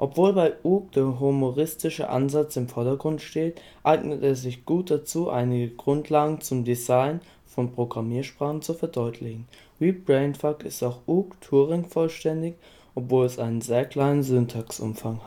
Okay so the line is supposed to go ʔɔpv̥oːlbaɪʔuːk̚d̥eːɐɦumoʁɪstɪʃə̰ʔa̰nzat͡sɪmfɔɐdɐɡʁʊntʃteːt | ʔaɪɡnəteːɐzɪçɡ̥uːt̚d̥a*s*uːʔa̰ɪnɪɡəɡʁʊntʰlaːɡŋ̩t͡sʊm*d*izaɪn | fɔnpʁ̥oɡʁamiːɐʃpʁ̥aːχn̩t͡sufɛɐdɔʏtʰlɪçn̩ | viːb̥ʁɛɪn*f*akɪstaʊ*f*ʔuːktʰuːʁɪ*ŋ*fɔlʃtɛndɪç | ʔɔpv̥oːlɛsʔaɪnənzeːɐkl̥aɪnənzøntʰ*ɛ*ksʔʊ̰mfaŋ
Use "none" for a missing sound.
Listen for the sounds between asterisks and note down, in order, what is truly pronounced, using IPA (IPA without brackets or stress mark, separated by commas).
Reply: t͡s, d, f, x, ŋ, a